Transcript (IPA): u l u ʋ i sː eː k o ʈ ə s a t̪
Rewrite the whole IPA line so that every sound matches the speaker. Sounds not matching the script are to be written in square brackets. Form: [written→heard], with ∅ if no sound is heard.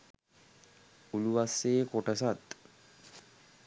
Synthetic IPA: u l u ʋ [i→a] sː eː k o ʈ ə s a t̪